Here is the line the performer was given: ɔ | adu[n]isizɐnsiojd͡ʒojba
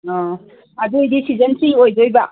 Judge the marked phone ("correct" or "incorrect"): incorrect